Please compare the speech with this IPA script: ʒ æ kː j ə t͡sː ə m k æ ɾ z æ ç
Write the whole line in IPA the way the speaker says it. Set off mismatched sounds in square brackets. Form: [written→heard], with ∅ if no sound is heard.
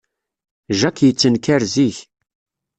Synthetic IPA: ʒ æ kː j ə t͡sː ə [m→n] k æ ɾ z [æ→i] ç